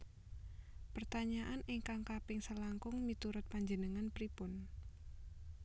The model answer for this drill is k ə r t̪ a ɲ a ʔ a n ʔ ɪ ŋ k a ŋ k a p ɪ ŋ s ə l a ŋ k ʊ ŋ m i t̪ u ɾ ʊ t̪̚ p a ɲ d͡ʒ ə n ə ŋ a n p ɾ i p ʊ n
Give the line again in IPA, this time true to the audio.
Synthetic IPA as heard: p ə r t̪ a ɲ a ʔ a n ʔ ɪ ŋ k a ŋ k a p ɪ ŋ s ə l a ŋ k ʊ ŋ m i t̪ u ɾ ʊ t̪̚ p a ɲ d͡ʒ ə n ə ŋ a n p ɾ i p ʊ n